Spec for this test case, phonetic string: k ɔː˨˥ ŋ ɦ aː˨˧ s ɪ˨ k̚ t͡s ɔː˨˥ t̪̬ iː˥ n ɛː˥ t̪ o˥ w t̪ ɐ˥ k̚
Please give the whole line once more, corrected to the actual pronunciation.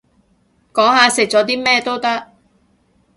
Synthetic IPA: k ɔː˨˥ ŋ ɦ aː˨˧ s ɪ˨ k̚ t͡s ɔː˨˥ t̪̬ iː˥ m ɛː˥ t̪ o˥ w t̪ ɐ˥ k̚